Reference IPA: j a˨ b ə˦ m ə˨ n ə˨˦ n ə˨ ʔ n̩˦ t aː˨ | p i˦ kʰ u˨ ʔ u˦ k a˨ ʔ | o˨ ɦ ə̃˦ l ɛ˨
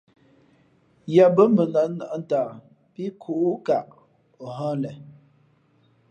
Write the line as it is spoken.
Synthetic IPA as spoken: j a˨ b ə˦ m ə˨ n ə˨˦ n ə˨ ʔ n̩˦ t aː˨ | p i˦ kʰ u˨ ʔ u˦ k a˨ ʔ | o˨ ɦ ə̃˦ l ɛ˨